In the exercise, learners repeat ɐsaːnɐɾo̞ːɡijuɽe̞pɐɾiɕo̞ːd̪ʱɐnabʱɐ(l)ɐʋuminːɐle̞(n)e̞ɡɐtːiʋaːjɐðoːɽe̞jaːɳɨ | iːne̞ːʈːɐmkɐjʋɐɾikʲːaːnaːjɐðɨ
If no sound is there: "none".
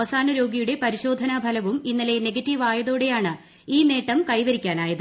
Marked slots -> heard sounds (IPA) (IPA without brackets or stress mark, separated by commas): l, n